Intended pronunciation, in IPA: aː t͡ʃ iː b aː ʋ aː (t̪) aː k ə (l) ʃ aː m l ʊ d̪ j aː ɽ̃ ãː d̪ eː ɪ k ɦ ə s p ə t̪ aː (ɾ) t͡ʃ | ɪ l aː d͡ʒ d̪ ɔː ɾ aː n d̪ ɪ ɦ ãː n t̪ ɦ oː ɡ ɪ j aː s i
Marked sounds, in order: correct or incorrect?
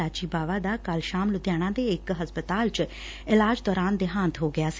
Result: incorrect: d̪, correct, incorrect: l

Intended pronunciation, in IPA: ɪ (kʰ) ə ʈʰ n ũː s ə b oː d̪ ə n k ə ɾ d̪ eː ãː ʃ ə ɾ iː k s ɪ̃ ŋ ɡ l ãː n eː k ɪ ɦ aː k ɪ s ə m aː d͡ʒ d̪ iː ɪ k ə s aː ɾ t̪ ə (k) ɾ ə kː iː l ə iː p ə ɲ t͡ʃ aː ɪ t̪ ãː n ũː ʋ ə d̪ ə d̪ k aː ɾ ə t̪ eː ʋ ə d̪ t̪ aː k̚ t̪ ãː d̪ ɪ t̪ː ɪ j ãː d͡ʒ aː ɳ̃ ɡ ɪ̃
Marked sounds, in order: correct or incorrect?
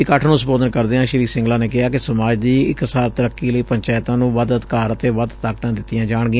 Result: incorrect: k, incorrect: none

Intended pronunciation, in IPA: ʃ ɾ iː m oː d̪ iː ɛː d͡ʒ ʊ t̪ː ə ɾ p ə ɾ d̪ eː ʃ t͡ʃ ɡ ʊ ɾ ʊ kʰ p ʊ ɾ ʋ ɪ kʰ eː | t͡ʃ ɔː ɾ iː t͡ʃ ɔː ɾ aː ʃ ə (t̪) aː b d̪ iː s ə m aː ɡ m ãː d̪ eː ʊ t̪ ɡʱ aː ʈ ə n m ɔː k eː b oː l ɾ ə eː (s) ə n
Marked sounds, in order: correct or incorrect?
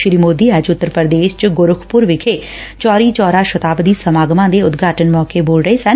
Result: correct, correct

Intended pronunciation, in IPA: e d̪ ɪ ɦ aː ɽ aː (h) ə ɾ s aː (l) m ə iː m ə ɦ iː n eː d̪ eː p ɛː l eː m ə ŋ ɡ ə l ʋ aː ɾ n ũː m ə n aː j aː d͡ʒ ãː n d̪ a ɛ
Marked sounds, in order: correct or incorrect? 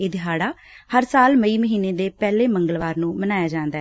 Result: correct, correct

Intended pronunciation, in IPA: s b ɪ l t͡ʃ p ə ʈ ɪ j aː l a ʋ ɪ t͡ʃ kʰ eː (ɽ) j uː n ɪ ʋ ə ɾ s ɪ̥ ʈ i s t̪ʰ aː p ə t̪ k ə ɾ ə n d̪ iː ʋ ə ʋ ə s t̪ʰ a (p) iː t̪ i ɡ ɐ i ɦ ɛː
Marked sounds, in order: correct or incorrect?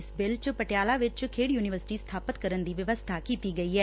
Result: correct, incorrect: k

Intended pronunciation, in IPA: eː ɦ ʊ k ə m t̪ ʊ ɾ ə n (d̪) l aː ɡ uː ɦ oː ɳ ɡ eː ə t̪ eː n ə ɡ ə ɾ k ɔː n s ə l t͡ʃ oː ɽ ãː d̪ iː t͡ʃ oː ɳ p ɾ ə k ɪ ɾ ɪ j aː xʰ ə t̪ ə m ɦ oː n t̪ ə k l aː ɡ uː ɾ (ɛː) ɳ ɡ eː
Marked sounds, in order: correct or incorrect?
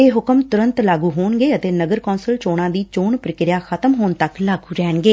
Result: incorrect: t̪, correct

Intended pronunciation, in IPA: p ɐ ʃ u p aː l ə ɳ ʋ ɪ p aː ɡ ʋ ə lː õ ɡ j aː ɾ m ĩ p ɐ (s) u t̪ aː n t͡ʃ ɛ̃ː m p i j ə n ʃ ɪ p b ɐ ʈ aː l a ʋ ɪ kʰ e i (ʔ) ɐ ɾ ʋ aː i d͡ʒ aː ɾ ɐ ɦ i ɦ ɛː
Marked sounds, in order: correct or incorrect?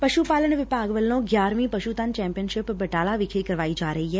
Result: incorrect: ʃ, incorrect: k

